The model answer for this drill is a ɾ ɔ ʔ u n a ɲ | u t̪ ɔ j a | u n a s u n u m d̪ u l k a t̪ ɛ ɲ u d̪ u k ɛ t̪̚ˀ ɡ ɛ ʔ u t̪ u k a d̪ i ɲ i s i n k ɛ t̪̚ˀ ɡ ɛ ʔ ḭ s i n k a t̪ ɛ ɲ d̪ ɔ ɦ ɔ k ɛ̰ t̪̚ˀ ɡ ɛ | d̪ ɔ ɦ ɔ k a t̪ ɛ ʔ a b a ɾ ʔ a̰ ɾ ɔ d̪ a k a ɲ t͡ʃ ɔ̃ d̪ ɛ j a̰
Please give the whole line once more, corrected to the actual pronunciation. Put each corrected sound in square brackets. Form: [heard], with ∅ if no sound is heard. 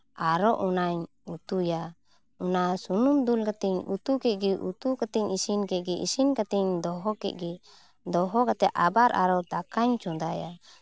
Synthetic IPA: a ɾ ɔ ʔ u n a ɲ | u t̪ [u] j a | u n a s u n u m d̪ u l k a t̪ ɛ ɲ u [t̪] u k ɛ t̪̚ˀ ɡ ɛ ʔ u t̪ u k a [t̪] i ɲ i s i n k ɛ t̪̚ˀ ɡ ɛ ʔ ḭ s i n k a t̪ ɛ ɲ d̪ ɔ ɦ ɔ k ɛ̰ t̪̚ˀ ɡ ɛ | d̪ ɔ ɦ ɔ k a t̪ ɛ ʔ a b a ɾ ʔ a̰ ɾ ɔ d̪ a k a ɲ t͡ʃ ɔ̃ d̪ [a] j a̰